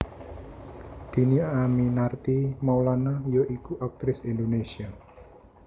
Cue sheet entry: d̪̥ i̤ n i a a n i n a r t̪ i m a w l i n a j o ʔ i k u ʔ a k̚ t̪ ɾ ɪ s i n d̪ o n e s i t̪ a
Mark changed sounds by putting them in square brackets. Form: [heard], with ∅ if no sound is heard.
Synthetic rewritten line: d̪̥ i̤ n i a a [m] i n a r t̪ i m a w l [a] n a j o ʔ i k u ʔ a k̚ t̪ ɾ ɪ s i n d̪ o n e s i [∅] a